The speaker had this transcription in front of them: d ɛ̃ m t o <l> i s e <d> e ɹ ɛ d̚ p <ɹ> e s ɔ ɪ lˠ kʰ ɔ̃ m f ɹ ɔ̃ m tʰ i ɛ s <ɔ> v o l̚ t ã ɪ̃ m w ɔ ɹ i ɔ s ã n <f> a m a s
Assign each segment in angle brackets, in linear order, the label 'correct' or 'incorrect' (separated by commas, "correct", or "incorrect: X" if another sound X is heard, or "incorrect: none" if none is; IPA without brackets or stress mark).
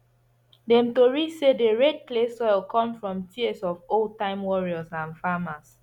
incorrect: ɹ, correct, incorrect: l, correct, correct